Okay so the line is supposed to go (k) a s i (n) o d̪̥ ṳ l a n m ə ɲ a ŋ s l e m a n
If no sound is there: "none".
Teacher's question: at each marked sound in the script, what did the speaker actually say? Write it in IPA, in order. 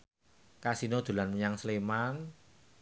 k, n

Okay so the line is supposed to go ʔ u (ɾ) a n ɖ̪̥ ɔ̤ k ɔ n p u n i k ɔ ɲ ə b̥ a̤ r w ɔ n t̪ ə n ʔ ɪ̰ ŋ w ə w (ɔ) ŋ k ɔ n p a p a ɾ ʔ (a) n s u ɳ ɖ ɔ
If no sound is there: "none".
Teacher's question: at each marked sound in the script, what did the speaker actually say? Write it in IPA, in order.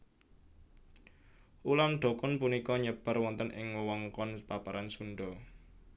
l, ɔ, a

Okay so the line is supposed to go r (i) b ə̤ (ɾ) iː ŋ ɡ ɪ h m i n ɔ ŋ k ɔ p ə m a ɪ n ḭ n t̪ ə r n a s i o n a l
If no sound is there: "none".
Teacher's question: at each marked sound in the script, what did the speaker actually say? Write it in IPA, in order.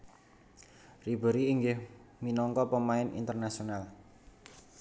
i, ɾ

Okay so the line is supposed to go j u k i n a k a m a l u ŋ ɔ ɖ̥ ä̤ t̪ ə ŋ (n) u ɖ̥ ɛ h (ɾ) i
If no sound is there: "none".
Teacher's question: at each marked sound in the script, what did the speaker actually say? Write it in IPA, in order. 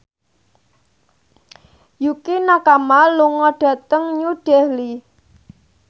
ɲ, l

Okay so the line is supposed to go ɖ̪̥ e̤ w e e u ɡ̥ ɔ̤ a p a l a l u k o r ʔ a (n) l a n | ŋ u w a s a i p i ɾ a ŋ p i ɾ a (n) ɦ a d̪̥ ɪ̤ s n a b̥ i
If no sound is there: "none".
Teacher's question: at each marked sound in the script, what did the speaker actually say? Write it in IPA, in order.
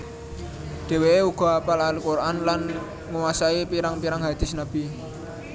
n, ŋ

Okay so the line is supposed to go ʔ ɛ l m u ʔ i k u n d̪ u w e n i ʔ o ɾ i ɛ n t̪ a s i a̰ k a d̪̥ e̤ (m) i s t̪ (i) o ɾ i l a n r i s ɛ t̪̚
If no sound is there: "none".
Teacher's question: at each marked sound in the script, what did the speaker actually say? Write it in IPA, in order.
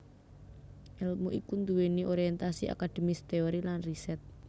m, e

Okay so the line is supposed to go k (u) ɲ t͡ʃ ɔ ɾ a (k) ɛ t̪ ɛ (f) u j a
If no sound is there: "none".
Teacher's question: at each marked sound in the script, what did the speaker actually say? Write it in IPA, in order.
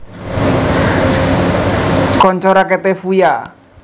ɔ, k, f

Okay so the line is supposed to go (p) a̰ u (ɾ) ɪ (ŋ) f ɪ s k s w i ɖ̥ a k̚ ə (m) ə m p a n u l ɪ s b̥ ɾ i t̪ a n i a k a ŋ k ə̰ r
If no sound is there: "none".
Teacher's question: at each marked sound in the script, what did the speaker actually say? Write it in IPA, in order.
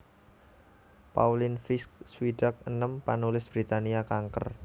p, l, n, n

